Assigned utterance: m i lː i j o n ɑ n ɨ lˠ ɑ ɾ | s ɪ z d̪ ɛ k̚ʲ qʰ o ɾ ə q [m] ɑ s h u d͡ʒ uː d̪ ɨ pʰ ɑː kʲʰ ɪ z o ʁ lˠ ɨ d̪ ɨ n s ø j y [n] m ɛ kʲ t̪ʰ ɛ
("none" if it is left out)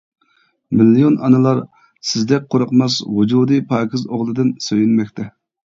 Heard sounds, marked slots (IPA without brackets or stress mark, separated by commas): m, n